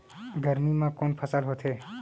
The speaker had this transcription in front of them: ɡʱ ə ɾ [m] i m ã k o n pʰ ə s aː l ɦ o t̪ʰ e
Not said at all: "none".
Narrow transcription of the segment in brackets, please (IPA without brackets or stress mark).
m